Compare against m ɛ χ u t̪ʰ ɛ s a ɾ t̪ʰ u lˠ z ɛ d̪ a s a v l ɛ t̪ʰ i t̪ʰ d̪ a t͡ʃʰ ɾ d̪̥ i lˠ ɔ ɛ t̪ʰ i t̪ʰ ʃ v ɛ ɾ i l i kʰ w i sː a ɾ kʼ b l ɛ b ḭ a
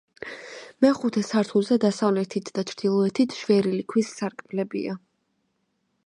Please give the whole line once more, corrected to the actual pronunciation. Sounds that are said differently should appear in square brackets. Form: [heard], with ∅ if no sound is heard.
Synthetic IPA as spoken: m ɛ χ u t̪ʰ ɛ s a ɾ t̪ʰ u lˠ z ɛ d̪ a s a v l ɛ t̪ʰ i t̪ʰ d̪ a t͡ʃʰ ɾ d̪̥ i lˠ ɔ ɛ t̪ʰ i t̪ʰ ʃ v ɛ ɾ i l i kʰ w i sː a ɾ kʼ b l ɛ b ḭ a